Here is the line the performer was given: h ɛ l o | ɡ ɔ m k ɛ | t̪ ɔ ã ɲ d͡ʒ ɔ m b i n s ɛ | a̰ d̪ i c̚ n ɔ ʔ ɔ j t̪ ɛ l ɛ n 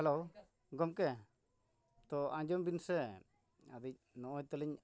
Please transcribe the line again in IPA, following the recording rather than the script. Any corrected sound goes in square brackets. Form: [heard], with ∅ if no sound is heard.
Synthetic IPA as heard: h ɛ l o | ɡ ɔ m k ɛ | t̪ ɔ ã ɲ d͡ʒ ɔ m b i n s ɛ | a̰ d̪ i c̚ n ɔ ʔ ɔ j t̪ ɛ l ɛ [ɲ]